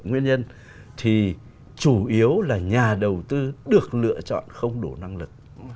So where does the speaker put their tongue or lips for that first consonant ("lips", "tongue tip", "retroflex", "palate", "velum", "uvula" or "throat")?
velum